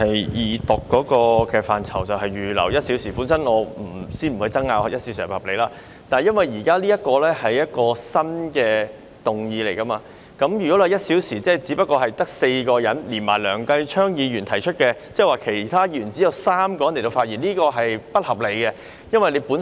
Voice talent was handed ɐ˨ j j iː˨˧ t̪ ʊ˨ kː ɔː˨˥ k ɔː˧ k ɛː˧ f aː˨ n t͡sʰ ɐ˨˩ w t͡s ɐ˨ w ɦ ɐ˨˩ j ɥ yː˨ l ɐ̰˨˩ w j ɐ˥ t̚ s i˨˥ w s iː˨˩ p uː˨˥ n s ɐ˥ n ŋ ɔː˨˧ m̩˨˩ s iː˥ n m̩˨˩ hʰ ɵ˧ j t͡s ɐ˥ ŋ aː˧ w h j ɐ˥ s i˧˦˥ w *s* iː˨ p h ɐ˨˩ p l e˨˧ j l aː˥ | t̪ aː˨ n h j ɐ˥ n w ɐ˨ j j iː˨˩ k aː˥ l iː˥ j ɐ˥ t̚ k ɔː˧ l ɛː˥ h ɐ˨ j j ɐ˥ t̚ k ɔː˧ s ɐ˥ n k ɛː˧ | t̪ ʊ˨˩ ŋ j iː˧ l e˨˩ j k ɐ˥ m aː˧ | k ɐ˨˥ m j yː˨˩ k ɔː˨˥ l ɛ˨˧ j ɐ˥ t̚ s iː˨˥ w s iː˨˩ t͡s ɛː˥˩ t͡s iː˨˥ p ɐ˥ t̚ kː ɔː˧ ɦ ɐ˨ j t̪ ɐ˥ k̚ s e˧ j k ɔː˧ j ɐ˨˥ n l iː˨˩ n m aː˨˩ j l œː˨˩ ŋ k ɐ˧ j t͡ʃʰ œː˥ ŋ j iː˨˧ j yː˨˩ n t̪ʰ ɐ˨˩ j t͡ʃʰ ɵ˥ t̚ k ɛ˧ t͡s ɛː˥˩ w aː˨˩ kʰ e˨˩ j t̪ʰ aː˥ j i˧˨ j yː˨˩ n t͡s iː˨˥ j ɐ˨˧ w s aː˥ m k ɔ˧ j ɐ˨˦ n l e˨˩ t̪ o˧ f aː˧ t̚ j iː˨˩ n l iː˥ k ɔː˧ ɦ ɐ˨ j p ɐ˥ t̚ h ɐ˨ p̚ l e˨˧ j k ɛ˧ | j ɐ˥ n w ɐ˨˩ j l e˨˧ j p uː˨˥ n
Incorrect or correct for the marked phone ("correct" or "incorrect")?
correct